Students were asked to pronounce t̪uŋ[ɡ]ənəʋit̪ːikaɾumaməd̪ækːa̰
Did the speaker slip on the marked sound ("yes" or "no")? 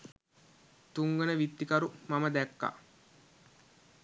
no